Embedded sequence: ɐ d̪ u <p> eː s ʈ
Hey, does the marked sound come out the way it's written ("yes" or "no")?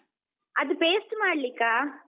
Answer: yes